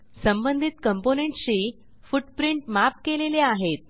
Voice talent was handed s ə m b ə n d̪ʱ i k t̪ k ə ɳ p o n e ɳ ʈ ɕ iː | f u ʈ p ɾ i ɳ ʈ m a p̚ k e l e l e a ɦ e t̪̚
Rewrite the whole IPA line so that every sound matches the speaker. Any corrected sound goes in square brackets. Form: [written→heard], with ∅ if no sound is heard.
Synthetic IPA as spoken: s ə m b ə n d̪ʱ i [k→∅] t̪ k ə [ɳ→m] p o n e ɳ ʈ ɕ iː | f u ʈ p ɾ i ɳ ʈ m a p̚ k e l e l e a ɦ e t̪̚